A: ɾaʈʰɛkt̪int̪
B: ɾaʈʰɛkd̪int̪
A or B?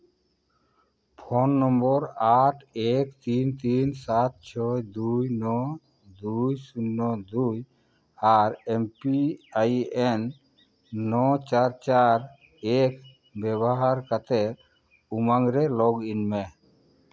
A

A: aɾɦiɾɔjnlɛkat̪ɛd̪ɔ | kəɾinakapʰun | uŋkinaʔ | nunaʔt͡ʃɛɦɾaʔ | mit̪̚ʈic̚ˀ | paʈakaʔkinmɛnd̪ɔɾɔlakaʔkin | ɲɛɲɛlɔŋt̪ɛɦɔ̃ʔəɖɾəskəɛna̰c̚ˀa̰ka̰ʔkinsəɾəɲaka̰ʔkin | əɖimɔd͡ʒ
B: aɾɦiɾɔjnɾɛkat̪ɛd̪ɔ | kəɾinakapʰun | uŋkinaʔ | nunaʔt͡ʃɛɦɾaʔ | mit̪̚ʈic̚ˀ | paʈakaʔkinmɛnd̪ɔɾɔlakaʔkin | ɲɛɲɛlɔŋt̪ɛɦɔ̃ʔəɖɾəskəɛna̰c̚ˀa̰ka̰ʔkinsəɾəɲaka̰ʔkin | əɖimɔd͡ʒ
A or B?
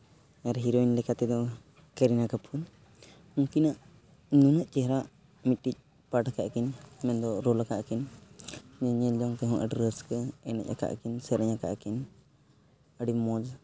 A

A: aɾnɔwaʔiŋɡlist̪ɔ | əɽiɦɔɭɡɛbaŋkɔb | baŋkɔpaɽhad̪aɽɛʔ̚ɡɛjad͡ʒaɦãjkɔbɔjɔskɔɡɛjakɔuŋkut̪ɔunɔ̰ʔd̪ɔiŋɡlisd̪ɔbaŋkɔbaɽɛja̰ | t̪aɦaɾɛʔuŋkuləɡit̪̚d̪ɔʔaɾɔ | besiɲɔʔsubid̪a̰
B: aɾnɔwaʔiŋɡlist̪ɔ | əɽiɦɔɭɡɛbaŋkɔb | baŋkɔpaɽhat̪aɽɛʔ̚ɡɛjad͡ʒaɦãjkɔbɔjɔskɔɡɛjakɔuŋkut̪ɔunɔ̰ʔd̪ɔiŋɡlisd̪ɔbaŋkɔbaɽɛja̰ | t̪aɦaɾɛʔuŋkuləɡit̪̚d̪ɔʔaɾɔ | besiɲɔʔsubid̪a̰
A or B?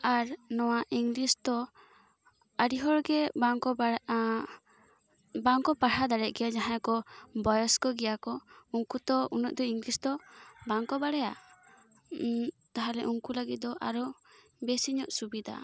A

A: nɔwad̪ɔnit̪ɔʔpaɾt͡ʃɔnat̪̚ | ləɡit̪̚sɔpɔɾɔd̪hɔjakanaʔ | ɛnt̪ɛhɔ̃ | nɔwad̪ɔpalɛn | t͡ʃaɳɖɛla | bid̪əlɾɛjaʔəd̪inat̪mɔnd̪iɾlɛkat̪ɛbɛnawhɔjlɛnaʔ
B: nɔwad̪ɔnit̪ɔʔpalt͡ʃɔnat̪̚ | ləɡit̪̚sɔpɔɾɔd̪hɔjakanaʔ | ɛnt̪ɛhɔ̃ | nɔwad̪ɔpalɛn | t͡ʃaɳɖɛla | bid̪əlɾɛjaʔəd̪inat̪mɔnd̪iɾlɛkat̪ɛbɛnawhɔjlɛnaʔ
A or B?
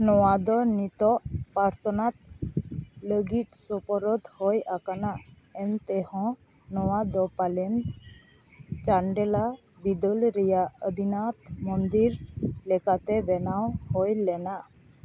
A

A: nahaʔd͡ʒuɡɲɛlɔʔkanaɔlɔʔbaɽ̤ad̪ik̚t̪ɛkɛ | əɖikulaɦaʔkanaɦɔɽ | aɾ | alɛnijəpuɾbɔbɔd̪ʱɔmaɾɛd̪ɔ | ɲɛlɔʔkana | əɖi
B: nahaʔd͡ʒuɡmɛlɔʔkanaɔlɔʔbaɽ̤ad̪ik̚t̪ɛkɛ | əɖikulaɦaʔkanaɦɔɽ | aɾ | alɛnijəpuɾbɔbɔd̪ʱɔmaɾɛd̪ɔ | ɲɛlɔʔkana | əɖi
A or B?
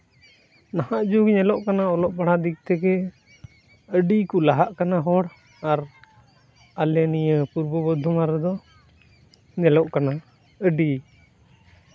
A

